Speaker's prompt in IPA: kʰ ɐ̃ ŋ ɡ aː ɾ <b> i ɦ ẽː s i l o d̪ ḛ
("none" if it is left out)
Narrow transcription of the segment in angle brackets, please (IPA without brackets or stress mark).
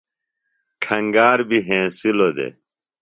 b